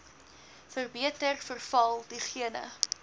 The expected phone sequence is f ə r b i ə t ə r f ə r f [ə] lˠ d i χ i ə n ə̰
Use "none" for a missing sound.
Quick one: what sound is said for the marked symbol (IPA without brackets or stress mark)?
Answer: ɐ